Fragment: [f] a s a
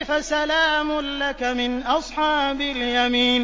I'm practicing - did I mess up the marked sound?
no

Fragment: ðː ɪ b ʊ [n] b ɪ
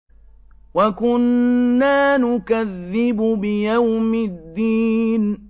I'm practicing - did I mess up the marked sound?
yes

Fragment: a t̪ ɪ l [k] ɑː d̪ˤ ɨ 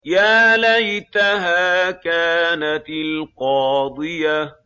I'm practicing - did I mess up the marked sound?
yes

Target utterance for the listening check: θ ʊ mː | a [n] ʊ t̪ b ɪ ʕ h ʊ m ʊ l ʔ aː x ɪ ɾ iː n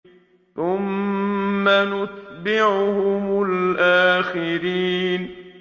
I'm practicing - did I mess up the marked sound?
no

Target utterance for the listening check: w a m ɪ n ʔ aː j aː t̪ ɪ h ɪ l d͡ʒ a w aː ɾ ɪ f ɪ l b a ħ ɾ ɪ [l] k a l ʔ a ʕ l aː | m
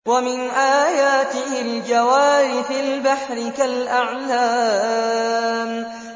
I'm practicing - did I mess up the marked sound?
yes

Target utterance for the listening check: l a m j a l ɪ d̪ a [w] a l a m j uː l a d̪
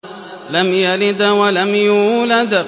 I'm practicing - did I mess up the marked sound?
no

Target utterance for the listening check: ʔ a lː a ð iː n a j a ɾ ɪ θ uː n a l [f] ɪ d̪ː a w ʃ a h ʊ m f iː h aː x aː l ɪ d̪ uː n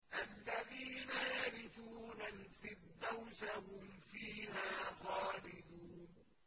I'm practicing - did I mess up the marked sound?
no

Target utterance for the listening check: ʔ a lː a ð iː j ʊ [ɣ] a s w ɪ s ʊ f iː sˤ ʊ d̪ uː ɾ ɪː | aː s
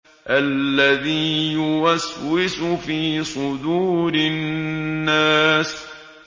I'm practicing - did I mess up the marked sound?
yes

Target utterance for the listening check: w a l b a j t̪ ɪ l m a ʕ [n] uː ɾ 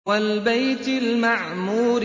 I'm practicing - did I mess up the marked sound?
yes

